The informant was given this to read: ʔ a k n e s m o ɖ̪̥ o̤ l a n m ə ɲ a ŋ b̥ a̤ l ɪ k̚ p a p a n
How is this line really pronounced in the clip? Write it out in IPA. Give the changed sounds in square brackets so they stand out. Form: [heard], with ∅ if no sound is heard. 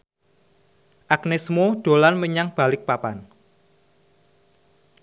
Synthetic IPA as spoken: ʔ a k n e s m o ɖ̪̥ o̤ l a n m ə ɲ a ŋ b̥ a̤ l ɪ k̚ p a p a n